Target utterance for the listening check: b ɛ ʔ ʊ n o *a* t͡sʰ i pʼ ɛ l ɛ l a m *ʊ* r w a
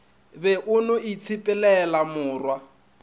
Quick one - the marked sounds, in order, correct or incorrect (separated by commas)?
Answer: incorrect, incorrect